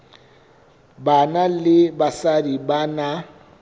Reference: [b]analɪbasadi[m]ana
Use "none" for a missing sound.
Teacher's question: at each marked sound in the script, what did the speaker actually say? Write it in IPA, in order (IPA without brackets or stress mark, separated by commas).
b, b